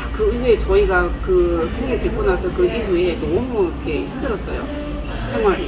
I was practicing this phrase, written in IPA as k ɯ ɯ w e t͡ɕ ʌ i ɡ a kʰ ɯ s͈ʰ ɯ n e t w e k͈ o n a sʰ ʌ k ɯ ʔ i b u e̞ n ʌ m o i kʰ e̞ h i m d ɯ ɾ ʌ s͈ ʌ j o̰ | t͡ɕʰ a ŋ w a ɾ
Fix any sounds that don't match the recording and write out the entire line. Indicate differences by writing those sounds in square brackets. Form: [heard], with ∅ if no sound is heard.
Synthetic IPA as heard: k ɯ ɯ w e t͡ɕ ʌ i ɡ a [k] ɯ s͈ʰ ɯ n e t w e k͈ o n a sʰ ʌ k ɯ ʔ i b u e̞ n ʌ m [u] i kʰ e̞ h i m d ɯ ɾ ʌ s͈ ʌ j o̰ | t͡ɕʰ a ŋ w a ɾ

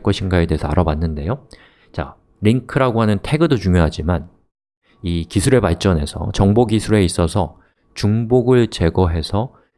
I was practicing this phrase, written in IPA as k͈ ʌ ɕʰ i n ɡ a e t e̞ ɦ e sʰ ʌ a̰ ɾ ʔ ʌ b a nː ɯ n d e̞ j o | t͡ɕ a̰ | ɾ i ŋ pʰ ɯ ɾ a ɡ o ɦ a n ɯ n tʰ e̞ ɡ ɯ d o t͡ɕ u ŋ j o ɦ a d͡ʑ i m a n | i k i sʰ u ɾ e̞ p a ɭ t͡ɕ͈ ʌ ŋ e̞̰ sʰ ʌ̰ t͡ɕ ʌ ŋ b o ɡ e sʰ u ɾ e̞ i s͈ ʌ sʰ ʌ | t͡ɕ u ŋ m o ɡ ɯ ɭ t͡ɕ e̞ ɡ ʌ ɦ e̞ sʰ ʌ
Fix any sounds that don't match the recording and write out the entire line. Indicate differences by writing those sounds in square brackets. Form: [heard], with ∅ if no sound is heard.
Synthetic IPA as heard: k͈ ʌ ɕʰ i n ɡ a e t e̞ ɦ e sʰ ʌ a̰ ɾ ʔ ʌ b a nː ɯ n d e̞ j o | t͡ɕ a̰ | ɾ i ŋ [kʰ] ɯ ɾ a ɡ o ɦ a n ɯ n tʰ e̞ ɡ ɯ d o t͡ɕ u ŋ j o ɦ a d͡ʑ i m a n | i k i sʰ u ɾ e̞ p a ɭ t͡ɕ͈ ʌ [n] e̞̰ sʰ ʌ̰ t͡ɕ ʌ ŋ b o ɡ [i] sʰ u ɾ e̞ i s͈ ʌ sʰ ʌ | t͡ɕ u ŋ [b] o ɡ ɯ ɭ t͡ɕ e̞ ɡ ʌ ɦ e̞ sʰ ʌ

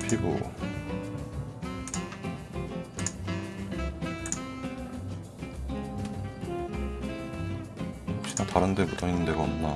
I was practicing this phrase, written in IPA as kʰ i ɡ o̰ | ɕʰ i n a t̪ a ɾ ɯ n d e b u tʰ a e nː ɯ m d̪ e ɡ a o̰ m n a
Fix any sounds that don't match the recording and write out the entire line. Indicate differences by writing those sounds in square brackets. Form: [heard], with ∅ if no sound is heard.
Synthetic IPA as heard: [pʰ] i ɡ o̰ | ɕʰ i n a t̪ a ɾ ɯ n d e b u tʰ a [i] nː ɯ [n] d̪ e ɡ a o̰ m n a

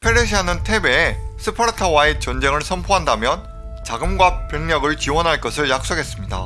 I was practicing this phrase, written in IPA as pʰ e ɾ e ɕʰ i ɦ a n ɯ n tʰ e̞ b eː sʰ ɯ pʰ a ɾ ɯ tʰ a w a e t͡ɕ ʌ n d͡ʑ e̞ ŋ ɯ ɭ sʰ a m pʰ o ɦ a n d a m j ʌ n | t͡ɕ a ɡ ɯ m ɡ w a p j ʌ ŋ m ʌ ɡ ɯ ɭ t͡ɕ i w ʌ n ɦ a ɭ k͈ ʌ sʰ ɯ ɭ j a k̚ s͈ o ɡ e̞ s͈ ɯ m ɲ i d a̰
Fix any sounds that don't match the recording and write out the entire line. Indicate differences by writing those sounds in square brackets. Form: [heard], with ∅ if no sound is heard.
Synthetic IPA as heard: pʰ e ɾ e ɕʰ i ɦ a n ɯ n tʰ e̞ b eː sʰ ɯ pʰ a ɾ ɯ tʰ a w a e t͡ɕ ʌ n d͡ʑ e̞ ŋ ɯ ɭ sʰ [ʌ] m pʰ o ɦ a n d a m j ʌ n | t͡ɕ a ɡ ɯ m ɡ w a p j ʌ ŋ [ɲ] ʌ ɡ ɯ ɭ t͡ɕ i w ʌ n ɦ a ɭ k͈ ʌ sʰ ɯ ɭ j a k̚ s͈ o ɡ e̞ s͈ ɯ m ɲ i d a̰

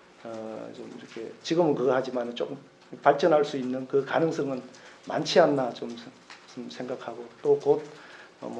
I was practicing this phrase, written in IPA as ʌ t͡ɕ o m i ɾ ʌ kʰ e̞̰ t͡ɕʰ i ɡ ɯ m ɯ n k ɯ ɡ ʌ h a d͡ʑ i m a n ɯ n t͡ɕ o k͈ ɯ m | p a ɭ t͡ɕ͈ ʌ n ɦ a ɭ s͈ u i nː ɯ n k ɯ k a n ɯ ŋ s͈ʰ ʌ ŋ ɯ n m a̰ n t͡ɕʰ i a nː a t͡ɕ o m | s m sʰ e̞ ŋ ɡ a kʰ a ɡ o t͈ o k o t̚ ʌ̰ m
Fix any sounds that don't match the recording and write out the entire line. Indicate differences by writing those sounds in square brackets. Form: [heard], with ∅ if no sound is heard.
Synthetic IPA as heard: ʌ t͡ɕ o m i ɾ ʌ kʰ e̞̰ [t͡ɕ] i ɡ ɯ m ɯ n k ɯ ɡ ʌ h a d͡ʑ i m a n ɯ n t͡ɕ o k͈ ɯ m | p a ɭ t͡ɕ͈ ʌ n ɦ a ɭ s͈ u i nː ɯ n k ɯ k a n ɯ ŋ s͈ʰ ʌ ŋ ɯ n m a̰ n t͡ɕʰ i a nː a t͡ɕ o m | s m sʰ e̞ ŋ ɡ a kʰ a ɡ o t͈ o k o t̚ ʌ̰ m

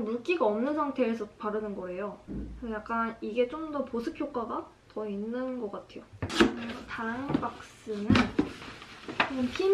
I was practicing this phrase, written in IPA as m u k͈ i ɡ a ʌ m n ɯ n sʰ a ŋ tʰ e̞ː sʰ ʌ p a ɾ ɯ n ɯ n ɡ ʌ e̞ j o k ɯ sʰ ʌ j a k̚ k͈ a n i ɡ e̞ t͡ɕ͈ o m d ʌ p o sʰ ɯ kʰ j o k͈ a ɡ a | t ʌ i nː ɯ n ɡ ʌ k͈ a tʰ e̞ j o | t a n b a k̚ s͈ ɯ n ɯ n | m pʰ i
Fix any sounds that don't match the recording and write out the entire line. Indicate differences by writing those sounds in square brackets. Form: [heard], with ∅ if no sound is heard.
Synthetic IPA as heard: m u k͈ i ɡ a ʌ m n ɯ n sʰ a ŋ tʰ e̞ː sʰ ʌ p a ɾ ɯ n ɯ n ɡ ʌ e̞ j o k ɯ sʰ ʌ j a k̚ k͈ a n i ɡ e̞ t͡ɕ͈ o m d ʌ p o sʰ ɯ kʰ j o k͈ a ɡ a | t ʌ i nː ɯ n ɡ ʌ k͈ a tʰ e̞ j o | t a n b a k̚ s͈ ɯ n ɯ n | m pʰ i

